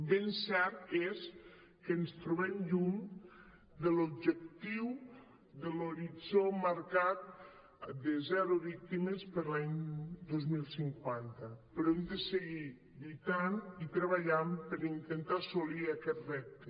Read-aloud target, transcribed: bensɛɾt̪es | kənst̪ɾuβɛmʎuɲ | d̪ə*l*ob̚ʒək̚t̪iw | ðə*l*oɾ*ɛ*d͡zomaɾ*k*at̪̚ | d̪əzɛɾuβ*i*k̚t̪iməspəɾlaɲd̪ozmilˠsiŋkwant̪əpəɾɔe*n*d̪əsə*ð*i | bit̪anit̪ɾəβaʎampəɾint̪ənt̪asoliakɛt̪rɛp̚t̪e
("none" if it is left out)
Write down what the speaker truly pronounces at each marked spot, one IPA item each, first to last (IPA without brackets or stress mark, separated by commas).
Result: l, l, i, k, i, m, ɣ